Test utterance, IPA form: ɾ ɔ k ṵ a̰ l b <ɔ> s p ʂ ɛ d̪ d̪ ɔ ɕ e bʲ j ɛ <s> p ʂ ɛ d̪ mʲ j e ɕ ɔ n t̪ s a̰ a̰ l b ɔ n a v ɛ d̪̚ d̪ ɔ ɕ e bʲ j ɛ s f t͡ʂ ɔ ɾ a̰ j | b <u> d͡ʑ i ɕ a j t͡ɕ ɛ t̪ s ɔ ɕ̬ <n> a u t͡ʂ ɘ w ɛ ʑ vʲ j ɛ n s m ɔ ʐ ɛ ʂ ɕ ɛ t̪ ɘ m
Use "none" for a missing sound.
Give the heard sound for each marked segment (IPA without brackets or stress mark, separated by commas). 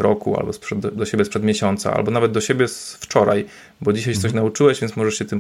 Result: ɔ, s, ɔ, n